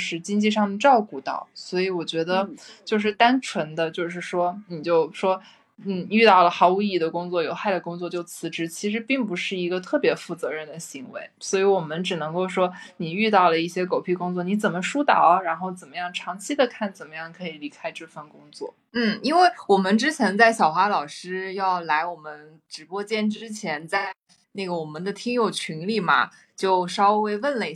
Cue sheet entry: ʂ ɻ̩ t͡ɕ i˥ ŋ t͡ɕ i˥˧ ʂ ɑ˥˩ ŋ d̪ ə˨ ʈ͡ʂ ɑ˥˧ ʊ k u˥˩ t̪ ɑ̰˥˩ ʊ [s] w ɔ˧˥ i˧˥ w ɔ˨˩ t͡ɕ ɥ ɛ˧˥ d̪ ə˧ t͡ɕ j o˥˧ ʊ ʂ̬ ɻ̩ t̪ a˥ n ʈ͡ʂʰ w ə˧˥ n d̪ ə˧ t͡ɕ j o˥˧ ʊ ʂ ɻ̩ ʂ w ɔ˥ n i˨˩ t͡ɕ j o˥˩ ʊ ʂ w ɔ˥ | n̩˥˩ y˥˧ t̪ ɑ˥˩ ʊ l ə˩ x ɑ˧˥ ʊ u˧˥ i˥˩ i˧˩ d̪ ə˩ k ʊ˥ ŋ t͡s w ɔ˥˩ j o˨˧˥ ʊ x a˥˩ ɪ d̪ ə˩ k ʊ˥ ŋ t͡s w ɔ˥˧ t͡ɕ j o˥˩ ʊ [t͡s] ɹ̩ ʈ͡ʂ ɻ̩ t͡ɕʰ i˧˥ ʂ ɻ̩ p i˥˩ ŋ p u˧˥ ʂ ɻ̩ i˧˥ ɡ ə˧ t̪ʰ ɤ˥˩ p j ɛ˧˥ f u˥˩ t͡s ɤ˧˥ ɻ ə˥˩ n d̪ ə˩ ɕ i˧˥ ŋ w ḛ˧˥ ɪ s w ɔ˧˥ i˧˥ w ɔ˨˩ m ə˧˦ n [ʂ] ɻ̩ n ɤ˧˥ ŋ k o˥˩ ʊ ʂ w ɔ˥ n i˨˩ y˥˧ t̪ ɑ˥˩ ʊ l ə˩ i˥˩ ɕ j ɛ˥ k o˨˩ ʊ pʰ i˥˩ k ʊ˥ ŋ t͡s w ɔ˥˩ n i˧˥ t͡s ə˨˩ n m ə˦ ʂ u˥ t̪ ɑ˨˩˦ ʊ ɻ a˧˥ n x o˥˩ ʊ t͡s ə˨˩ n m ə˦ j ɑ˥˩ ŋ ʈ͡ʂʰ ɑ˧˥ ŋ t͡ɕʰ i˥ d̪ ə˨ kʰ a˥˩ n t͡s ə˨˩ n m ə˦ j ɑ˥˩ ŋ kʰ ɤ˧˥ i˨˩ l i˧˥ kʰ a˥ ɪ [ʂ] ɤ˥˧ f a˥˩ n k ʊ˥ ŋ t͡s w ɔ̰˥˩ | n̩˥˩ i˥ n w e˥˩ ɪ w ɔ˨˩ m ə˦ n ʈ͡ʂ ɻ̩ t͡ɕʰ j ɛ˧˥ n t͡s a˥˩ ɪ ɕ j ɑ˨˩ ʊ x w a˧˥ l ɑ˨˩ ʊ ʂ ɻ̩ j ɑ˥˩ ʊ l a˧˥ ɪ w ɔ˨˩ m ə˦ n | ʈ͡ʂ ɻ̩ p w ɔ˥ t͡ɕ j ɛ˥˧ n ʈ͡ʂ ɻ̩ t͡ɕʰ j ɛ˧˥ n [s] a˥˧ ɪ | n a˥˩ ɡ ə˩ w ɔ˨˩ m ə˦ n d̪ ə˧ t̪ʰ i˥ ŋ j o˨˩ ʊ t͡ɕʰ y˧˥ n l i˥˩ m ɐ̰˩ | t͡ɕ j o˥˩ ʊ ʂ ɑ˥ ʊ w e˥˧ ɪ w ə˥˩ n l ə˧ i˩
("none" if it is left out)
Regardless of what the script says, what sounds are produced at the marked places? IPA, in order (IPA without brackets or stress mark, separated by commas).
s, t͡sʰ, ʈ͡ʂ, ʈ͡ʂ, t͡s